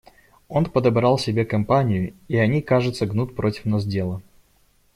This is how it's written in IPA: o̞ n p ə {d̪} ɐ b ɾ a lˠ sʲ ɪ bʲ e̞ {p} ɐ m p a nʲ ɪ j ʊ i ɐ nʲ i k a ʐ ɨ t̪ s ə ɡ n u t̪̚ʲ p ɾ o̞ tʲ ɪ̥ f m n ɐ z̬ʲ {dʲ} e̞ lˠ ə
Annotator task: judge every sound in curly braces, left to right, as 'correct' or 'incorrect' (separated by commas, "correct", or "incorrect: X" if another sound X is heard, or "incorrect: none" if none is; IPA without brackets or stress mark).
correct, incorrect: k, correct